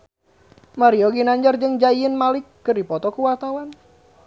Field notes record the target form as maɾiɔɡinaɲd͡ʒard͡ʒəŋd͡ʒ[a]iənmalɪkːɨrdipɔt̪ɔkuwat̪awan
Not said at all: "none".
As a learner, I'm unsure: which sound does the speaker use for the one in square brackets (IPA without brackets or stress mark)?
a